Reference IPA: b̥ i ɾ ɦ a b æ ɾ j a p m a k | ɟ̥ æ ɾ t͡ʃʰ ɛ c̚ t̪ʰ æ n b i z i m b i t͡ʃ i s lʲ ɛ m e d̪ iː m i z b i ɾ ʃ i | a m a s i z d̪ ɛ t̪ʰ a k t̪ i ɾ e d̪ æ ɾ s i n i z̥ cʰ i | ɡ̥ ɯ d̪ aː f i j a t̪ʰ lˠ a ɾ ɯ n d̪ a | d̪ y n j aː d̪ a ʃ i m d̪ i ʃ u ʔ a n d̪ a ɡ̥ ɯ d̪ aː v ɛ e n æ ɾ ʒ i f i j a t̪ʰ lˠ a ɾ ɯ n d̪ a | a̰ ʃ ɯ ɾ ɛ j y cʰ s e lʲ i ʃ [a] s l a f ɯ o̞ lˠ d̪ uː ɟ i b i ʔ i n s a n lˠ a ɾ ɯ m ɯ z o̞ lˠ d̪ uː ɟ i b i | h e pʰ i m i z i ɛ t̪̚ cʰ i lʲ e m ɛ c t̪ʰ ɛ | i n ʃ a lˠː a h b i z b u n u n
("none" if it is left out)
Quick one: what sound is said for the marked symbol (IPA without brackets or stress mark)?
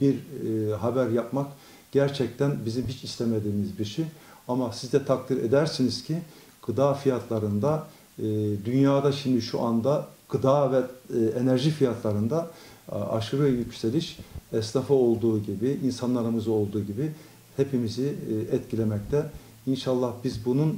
ɛ